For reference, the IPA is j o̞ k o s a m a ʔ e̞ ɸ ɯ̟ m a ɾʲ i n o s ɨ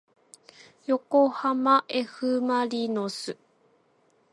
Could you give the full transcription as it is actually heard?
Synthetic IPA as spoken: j o̞ k o h a m a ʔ e̞ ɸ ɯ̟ m a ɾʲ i n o s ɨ